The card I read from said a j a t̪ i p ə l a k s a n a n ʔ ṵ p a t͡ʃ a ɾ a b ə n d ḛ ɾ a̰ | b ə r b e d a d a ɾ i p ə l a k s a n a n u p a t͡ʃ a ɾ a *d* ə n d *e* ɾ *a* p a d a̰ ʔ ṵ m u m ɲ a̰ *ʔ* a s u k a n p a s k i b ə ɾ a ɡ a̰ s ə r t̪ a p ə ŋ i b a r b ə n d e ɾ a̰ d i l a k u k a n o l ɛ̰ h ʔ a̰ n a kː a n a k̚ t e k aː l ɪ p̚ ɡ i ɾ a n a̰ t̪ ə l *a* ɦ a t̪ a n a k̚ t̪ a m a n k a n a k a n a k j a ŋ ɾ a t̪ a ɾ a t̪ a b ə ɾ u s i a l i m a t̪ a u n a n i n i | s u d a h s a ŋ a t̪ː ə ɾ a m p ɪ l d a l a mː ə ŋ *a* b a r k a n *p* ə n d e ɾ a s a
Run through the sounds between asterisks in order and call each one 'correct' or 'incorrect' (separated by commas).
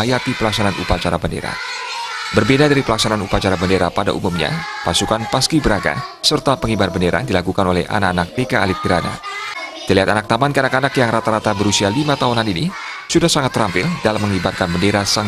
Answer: incorrect, correct, correct, incorrect, incorrect, incorrect, incorrect